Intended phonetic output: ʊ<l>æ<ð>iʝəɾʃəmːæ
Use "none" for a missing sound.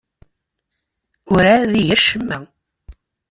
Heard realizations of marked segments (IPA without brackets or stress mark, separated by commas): ɾ, ð